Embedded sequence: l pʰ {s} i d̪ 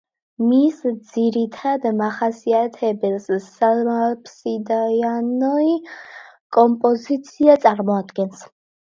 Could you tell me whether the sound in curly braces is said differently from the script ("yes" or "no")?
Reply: no